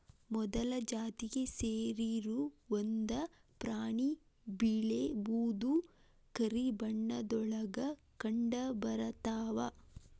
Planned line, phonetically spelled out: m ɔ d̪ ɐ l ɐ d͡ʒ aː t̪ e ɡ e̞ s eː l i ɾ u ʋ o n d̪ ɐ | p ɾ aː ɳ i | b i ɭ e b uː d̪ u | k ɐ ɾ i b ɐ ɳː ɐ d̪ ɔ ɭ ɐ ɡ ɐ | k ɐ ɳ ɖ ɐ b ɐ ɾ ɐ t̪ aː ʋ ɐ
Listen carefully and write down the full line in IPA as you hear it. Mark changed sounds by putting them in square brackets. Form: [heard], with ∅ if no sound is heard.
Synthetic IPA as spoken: m ɔ d̪ ɐ l ɐ d͡ʒ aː t̪ [i] ɡ e̞ s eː [ɾ] i ɾ u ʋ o n d̪ ɐ | p ɾ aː ɳ i | b i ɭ e b uː d̪ u | k ɐ ɾ i b ɐ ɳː ɐ d̪ ɔ ɭ ɐ ɡ ɐ | k ɐ ɳ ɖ ɐ b ɐ ɾ ɐ t̪ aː ʋ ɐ